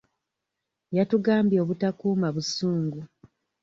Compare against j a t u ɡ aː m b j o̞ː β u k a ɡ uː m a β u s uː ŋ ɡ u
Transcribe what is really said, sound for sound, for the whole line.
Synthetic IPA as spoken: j a t u ɡ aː m b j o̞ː β u t a k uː m a β u s uː ŋ ɡ u